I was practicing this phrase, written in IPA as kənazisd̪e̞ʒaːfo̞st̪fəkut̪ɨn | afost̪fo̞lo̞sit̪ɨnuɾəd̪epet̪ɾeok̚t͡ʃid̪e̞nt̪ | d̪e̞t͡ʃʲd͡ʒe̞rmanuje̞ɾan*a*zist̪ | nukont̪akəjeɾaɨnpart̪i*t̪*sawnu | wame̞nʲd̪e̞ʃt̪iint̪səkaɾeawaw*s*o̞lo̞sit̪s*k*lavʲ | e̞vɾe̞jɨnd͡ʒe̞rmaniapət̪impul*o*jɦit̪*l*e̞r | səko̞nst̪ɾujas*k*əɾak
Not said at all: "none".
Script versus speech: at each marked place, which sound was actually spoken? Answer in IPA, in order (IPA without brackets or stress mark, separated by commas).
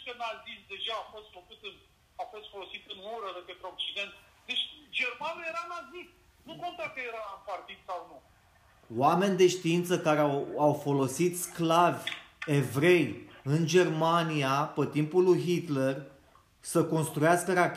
a, d̪, f, k, u, l, k